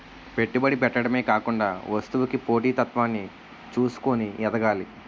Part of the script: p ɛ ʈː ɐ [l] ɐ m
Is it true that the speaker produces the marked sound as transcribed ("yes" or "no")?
no